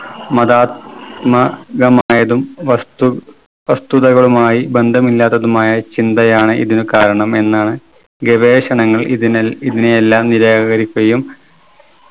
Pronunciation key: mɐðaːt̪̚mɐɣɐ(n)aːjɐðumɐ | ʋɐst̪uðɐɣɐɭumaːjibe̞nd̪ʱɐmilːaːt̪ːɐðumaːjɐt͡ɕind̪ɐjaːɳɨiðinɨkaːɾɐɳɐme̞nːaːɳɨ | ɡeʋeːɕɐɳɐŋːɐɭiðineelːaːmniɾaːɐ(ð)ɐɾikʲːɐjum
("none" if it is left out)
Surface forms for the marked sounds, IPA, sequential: m, ɣ

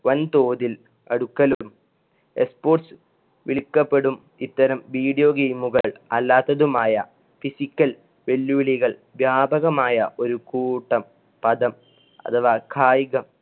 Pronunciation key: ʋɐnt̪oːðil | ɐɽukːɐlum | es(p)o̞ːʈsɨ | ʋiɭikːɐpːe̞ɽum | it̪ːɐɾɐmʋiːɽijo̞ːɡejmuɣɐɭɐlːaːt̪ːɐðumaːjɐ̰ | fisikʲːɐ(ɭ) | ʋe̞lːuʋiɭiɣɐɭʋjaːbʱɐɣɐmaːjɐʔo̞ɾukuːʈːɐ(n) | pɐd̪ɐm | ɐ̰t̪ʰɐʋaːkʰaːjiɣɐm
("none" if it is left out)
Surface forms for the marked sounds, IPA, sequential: p, l, m

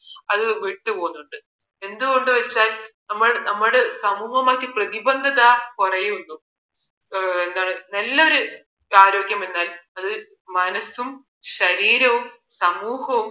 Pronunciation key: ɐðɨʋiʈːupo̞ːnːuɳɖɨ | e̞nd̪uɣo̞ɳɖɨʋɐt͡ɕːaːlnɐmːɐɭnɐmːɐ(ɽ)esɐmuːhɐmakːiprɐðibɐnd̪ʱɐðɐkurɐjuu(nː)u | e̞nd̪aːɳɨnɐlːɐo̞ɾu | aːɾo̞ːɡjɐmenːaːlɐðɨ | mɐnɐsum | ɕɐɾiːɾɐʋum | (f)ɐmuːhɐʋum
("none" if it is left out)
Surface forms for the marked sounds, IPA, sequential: ɽ, nː, s

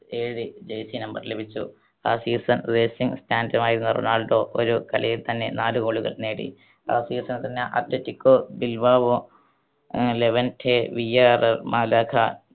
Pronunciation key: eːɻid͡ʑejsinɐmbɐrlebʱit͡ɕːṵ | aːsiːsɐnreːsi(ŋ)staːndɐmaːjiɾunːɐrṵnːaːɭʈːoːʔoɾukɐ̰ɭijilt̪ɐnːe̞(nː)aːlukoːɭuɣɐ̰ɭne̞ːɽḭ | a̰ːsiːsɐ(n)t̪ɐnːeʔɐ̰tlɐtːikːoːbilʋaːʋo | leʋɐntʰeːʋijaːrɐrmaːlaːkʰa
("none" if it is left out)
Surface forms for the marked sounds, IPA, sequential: ŋ, n, n

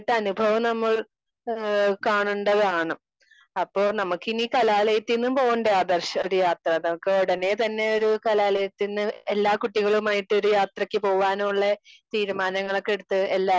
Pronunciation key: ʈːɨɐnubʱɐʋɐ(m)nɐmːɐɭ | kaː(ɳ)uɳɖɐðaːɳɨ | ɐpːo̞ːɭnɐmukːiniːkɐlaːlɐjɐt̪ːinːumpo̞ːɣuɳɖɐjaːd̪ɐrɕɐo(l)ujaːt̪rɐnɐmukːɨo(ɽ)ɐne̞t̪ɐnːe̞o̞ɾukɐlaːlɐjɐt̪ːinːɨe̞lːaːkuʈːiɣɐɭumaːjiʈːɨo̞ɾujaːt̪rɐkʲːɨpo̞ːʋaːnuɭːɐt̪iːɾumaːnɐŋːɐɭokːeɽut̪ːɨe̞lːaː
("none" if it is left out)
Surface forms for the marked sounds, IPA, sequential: m, ɳ, ɾ, ɽ

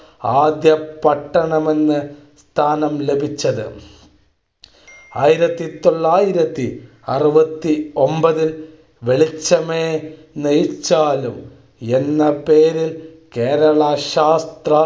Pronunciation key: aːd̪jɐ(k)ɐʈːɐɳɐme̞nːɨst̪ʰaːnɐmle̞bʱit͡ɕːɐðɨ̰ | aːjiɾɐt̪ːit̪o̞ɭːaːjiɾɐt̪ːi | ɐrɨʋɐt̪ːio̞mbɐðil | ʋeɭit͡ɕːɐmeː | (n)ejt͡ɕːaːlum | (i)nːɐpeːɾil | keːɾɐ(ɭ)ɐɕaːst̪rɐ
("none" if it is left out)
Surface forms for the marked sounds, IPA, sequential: p, n, e, ɭ

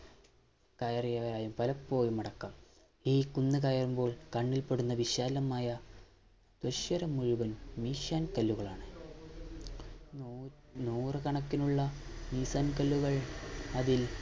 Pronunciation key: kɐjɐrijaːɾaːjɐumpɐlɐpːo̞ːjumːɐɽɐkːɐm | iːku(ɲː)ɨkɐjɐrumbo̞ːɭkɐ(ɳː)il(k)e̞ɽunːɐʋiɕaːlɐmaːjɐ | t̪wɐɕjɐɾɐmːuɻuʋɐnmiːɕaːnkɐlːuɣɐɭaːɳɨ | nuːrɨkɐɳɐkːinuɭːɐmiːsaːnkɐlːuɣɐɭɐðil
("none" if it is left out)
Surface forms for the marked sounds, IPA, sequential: nː, ɳː, p

